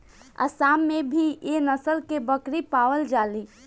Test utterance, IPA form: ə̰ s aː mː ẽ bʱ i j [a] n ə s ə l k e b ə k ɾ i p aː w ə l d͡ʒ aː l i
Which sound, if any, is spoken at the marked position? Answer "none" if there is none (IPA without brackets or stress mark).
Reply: e